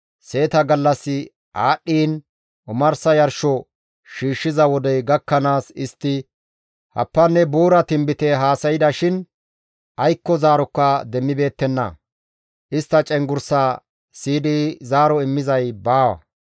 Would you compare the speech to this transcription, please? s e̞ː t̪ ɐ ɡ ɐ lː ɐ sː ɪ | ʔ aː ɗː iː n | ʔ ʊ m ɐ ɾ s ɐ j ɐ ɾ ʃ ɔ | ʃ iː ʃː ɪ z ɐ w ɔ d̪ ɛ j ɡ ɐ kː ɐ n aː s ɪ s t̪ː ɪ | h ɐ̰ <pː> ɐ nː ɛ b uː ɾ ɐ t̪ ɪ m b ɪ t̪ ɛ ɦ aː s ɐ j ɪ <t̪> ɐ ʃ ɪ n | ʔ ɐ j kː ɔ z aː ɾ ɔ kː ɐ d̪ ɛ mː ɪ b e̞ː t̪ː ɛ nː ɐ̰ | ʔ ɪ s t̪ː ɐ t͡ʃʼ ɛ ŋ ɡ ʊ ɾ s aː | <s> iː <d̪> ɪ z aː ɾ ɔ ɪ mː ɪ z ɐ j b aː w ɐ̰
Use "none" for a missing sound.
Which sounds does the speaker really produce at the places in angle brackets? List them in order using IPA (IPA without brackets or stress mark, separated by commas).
pː, d̪, s, d̪